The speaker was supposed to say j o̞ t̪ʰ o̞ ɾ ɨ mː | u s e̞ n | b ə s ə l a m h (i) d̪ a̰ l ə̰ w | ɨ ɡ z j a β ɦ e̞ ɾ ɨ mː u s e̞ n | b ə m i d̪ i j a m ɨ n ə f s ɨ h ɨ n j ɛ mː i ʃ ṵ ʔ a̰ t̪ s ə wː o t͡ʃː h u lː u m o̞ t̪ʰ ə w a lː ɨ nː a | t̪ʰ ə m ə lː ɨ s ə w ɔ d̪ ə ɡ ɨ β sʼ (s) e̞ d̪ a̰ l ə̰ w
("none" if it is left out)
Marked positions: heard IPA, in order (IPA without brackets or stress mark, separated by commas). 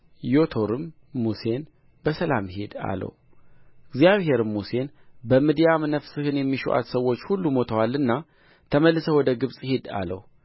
e, h